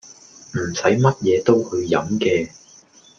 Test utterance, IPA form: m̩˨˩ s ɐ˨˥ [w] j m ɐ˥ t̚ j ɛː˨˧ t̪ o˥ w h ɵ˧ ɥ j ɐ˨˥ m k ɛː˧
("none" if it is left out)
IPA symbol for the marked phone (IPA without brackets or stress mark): none